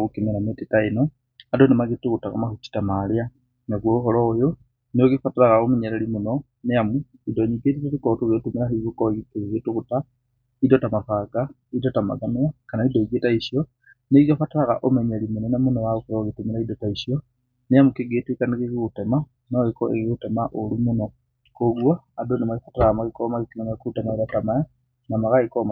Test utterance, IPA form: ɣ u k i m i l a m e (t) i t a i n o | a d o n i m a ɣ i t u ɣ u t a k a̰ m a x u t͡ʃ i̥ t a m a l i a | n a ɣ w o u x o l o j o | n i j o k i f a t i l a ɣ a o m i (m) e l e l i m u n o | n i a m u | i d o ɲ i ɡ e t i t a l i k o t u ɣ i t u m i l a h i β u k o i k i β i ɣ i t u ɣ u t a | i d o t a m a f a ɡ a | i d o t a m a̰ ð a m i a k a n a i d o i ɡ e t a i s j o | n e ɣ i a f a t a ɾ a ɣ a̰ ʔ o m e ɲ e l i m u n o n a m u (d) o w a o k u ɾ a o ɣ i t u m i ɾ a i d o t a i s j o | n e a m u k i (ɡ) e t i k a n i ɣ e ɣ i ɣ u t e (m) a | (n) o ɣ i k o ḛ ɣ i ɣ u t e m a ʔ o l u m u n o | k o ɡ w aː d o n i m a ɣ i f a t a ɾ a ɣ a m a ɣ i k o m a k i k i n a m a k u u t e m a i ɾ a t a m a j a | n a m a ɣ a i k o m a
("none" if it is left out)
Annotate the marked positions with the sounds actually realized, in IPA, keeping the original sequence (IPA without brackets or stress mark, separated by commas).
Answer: t, ɲ, n, ɡ, m, n